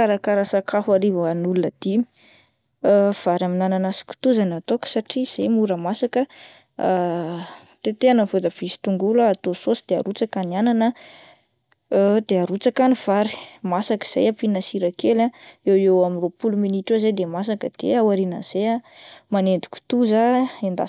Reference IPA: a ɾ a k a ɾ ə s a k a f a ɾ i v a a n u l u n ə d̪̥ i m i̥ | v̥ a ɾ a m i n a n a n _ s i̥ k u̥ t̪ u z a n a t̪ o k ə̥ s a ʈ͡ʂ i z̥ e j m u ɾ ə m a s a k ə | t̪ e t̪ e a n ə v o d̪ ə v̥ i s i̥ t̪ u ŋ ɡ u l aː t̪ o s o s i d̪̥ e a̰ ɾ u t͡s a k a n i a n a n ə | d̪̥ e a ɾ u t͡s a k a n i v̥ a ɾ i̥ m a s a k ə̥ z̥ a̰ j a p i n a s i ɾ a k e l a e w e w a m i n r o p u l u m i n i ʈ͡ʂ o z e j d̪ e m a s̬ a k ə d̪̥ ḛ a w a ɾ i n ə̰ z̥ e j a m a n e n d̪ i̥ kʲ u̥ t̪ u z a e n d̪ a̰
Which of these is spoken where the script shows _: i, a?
a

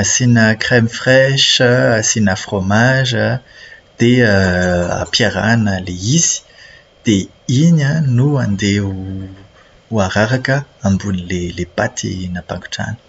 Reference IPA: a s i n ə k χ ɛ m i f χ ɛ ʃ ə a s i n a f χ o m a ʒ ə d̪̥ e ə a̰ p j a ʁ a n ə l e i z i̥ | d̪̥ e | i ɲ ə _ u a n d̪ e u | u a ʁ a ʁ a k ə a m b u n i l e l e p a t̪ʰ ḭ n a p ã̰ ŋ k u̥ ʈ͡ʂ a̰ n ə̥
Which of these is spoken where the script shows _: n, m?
n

